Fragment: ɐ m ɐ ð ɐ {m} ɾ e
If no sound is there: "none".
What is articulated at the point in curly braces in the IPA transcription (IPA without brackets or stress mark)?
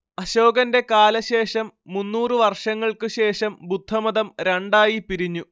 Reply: m